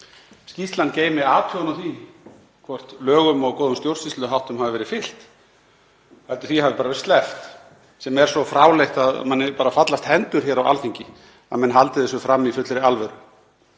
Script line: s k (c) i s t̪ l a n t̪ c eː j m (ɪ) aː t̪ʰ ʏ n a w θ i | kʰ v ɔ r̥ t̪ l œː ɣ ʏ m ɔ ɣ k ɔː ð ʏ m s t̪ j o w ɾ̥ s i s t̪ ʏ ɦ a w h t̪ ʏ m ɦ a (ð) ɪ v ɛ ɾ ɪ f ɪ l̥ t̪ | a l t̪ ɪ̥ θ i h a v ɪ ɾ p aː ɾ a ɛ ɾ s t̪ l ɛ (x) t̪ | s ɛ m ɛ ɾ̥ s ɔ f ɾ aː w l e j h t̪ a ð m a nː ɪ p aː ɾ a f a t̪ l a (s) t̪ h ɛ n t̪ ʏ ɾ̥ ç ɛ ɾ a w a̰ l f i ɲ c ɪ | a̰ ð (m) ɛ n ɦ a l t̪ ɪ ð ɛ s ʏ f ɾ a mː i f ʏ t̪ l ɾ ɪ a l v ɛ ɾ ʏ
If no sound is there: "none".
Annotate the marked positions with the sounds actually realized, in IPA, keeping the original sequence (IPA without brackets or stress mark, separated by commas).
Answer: c, ɪ, v, f, s, m